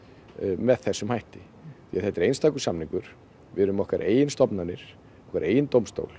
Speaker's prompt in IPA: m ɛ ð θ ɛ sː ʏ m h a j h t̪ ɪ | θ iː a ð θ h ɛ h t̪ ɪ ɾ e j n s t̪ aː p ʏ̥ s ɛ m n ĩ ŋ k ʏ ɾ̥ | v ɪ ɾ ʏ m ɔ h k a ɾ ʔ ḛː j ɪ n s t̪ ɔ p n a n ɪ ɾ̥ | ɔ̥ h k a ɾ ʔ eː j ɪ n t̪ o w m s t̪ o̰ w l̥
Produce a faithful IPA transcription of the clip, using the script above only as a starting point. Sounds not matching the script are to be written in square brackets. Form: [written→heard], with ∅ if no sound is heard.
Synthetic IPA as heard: m ɛ ð θ ɛ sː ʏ m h a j h t̪ ɪ | θ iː a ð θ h ɛ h t̪ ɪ ɾ e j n s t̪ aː [p→k] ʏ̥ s [ɛ→a] m n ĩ ŋ k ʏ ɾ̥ | v ɪ ɾ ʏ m ɔ h k a ɾ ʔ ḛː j ɪ n s t̪ ɔ p n a n ɪ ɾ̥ | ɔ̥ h k a ɾ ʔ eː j ɪ n t̪ o w m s t̪ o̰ w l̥